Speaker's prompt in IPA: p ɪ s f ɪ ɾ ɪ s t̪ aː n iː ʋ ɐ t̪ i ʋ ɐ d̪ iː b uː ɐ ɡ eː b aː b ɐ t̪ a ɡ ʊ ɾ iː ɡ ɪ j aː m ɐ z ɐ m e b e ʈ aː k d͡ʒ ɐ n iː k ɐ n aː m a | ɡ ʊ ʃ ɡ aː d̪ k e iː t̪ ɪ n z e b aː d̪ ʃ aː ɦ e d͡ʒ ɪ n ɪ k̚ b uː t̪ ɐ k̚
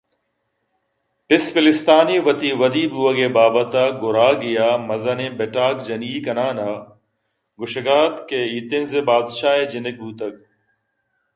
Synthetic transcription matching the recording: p ɪ s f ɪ l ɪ s t̪ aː n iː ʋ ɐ t̪ i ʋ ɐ d̪ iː b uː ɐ ɡ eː b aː b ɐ t̪ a ɡ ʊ ɾ aː ɡ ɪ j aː m ɐ z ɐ n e b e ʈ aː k d͡ʒ ɐ n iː k ɐ n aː n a | ɡ ʊ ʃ ɡ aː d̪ k e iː t̪ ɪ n z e b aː d̪ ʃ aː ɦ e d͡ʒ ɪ n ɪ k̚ b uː t̪ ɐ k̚

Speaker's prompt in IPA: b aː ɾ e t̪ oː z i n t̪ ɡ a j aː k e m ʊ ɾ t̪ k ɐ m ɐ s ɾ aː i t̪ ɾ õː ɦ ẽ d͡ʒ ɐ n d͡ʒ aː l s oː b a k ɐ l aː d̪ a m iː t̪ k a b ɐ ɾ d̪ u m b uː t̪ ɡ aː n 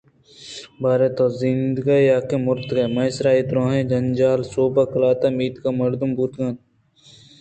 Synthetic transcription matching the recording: b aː ɾ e t̪ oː z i n d̪ ɡ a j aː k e m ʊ ɾ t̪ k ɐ m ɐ s ɾ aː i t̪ ɾ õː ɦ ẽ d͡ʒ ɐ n d͡ʒ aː l s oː b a k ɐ l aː t̪ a m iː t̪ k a m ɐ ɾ d̪ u m b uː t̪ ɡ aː n

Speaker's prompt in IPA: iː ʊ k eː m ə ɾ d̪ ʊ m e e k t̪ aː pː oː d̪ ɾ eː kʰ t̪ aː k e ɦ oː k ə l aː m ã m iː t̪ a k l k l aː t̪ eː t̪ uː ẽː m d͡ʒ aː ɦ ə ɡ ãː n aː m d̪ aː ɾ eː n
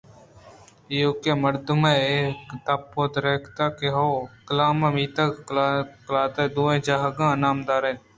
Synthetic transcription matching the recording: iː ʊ k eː m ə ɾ d̪ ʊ m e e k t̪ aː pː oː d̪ ɾ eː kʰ t̪ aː k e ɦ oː k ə l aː m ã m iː t̪ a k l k l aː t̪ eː d̪ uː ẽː d͡ʒ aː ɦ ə ɡ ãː n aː m d̪ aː ɾ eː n

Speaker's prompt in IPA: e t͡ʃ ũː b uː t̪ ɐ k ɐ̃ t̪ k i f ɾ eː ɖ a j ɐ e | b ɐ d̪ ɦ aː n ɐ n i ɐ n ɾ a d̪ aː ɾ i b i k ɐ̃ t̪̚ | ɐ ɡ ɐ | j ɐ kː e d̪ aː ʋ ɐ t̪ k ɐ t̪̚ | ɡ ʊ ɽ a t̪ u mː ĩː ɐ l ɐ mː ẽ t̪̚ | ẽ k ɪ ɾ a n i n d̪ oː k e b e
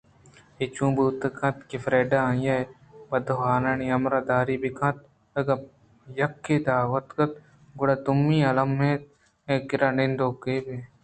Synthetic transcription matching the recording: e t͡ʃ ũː b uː t̪ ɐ k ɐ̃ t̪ k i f ɾ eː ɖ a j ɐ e | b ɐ d̪ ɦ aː n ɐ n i ɐ m ɾ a d̪ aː ɾ i b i k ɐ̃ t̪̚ | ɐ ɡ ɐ | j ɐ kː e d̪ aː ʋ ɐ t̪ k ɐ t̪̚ | ɡ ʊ ɽ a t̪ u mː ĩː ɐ l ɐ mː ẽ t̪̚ | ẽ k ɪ ɾ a n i n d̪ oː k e b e

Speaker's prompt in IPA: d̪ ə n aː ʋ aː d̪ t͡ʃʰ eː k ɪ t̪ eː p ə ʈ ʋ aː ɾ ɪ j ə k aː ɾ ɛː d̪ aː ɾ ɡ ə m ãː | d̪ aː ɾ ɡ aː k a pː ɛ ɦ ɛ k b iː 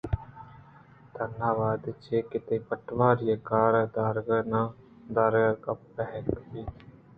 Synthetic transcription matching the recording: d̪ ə n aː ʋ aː d̪ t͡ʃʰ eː k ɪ t̪ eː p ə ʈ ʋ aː ɾ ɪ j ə k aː ɾ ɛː d̪ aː ɾ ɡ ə n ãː | d̪ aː ɾ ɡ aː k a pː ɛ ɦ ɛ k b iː

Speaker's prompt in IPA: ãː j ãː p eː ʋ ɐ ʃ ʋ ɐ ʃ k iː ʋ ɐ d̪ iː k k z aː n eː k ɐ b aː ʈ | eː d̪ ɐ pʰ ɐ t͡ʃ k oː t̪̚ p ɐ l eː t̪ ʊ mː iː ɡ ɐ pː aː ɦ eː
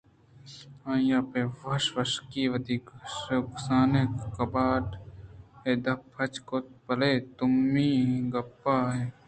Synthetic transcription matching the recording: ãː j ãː p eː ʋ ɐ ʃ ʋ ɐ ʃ k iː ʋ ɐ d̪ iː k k s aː n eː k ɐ b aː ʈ | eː d̪ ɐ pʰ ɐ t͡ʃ k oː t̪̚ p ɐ l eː t̪ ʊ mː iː ɡ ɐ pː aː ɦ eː

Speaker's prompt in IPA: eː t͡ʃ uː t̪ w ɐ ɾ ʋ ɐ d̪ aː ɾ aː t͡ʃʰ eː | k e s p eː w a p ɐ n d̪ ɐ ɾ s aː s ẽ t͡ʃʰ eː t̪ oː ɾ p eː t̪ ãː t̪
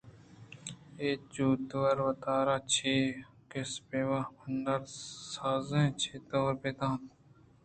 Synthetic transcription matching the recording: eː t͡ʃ uː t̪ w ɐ ɾ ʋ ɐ t̪ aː ɾ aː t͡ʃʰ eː | k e s p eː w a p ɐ n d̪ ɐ ɾ s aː z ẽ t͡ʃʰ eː t̪ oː ɾ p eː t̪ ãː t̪

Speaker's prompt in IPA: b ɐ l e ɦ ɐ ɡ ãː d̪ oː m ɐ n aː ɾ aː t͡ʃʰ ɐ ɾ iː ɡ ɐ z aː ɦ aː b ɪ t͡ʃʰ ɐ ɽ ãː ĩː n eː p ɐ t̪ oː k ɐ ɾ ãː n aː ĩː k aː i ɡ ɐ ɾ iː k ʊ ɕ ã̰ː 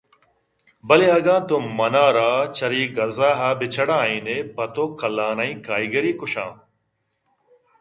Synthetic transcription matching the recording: b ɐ l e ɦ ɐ ɡ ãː t̪ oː m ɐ n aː ɾ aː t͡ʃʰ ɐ ɾ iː ɡ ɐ z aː ɦ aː b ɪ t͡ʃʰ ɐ ɽ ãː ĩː n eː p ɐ t̪ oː k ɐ l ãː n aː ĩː k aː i ɡ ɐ ɾ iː k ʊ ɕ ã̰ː

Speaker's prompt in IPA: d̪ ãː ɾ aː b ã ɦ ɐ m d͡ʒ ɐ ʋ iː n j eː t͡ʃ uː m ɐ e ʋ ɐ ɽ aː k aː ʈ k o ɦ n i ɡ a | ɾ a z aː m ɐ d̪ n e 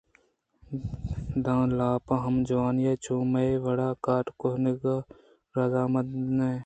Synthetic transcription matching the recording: d̪ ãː l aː p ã ɦ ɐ m d͡ʒ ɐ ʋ aː n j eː t͡ʃ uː m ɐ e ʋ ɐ ɽ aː k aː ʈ k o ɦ n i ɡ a | ɾ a z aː m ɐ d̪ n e

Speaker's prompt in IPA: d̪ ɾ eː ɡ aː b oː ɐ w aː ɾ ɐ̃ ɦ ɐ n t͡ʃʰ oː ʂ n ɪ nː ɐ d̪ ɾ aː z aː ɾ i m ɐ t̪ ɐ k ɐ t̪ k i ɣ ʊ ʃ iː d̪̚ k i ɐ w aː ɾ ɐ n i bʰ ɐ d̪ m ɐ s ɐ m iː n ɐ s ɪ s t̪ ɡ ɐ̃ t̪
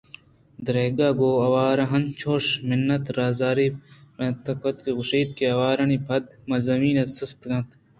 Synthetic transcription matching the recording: d̪ ɾ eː ɡ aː ɡ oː ɐ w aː ɾ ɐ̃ ɦ ɐ n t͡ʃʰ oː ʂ m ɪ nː ɐ t̪ ɾ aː z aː ɾ i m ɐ t̪ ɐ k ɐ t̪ k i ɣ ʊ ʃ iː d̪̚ k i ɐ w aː ɾ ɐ n i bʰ ɐ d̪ m ɐ z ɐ m iː n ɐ s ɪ s t̪ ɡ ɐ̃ t̪

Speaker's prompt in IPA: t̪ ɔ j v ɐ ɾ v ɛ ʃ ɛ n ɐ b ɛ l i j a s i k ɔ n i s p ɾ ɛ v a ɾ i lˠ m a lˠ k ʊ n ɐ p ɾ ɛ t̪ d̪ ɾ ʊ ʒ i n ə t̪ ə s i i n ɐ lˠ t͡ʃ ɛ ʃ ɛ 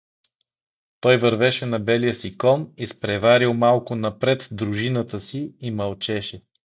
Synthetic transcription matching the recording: t̪ ɔ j v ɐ ɾ v ɛ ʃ ɛ n ɐ b ɛ l i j ə s i k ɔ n i s p ɾ ɛ v a ɾ i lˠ m a lˠ k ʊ n ɐ p ɾ ɛ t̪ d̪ ɾ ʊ ʒ i n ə t̪ ə s i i m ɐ lˠ t͡ʃ ɛ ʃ ɛ

